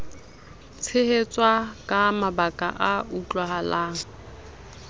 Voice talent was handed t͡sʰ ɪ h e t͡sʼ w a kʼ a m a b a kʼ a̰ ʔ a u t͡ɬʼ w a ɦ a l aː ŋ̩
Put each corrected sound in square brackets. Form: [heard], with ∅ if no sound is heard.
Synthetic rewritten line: t͡sʰ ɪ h e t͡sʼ w a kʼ a m a b a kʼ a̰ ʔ a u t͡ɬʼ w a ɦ a l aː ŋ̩